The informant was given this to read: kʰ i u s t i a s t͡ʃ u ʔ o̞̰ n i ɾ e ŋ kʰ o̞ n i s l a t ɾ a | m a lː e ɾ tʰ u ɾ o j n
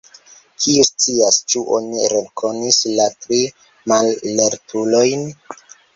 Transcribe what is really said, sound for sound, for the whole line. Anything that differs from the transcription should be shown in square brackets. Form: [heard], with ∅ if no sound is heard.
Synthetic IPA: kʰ i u s [t͡s] i a s t͡ʃ u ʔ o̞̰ n i ɾ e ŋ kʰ o̞ n i s l a t ɾ [i] | m a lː e ɾ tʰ u [l] o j n